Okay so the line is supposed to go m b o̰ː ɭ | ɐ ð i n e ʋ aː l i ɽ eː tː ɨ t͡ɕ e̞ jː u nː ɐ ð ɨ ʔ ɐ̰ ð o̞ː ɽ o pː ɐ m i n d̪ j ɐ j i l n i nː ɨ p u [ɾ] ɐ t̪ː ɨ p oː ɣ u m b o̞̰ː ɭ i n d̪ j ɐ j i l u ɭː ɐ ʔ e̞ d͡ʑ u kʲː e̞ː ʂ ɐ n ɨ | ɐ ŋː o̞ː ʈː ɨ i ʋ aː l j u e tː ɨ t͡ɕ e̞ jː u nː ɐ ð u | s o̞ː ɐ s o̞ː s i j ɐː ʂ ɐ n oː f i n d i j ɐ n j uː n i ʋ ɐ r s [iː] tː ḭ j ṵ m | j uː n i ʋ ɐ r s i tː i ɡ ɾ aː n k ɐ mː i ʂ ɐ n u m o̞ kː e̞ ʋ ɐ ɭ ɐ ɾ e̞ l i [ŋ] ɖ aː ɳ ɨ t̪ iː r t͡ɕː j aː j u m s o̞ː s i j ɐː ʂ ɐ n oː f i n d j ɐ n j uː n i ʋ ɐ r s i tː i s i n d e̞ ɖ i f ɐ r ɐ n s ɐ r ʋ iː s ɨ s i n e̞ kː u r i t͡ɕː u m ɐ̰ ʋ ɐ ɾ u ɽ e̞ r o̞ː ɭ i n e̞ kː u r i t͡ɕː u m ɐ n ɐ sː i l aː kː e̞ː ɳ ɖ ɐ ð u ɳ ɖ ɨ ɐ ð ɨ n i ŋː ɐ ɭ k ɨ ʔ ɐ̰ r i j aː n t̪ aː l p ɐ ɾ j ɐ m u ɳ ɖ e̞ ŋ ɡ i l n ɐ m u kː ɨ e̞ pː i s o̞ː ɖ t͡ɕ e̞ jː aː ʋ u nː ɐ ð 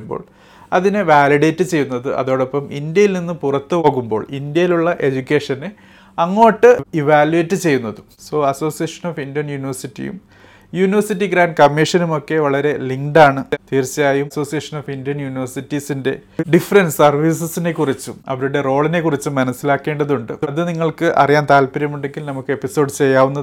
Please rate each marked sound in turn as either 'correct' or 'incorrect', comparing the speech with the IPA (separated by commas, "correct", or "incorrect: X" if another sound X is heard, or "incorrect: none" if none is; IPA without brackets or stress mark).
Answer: incorrect: r, incorrect: i, correct